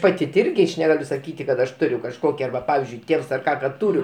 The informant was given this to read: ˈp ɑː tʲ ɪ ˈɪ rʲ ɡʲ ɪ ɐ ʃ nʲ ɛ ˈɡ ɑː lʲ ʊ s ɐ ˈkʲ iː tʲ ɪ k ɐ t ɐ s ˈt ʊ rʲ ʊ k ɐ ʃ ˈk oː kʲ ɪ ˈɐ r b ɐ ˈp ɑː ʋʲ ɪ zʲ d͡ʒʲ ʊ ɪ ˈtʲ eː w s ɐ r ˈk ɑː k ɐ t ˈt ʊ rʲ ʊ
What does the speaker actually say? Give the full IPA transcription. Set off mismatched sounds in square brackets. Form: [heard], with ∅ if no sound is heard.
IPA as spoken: ˈp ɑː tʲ ɪ ˈɪ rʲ ɡʲ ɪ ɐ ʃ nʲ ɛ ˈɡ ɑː lʲ ʊ s ɐ ˈkʲ iː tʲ ɪ k ɐ t ɐ [ʃ] ˈt ʊ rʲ ʊ k ɐ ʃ ˈk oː kʲ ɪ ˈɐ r b ɐ ˈp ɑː ʋʲ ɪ zʲ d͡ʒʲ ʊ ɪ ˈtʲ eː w s ɐ r ˈk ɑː k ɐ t ˈt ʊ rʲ ʊ